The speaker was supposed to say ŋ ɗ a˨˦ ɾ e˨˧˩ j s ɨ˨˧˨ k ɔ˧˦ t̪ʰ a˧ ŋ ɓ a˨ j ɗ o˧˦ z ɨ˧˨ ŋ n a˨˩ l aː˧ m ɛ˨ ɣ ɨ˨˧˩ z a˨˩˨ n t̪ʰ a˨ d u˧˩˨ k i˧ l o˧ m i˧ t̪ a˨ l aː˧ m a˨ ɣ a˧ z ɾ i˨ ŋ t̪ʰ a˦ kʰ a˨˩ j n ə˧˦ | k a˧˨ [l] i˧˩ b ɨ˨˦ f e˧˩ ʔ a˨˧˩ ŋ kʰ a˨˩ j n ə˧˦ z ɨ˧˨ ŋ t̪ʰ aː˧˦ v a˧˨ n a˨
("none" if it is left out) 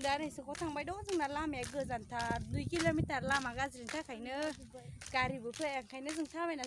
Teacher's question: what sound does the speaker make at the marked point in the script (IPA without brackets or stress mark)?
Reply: ɾ